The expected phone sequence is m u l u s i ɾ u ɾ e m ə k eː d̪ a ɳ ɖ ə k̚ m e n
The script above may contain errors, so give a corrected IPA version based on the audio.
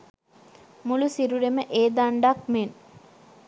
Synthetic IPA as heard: m u l u s i ɾ u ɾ e m ə ʔ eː d̪ a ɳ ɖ a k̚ m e n